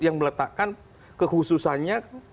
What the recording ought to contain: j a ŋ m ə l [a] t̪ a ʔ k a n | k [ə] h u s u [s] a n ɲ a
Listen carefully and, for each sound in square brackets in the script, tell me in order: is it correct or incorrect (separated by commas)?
incorrect, correct, correct